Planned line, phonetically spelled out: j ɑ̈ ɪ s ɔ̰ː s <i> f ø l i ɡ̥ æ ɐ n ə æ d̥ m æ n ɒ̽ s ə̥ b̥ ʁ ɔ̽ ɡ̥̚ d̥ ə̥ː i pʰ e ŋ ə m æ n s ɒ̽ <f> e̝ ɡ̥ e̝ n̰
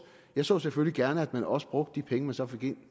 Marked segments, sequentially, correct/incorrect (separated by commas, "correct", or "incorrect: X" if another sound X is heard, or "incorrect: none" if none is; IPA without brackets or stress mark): incorrect: e, correct